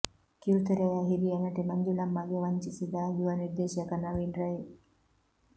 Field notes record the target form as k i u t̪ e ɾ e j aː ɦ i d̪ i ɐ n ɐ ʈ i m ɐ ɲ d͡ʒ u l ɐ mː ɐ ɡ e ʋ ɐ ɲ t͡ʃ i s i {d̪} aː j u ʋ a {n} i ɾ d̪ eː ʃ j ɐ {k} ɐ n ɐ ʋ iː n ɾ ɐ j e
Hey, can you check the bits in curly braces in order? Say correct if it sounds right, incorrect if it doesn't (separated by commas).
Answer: correct, correct, correct